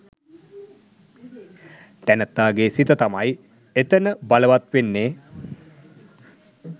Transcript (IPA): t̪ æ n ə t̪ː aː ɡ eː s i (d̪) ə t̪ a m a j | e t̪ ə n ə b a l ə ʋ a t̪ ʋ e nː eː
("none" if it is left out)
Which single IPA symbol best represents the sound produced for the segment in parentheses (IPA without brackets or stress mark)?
t̪